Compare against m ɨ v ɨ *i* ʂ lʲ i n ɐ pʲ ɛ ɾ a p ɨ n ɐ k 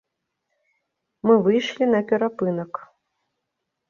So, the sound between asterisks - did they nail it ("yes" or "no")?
no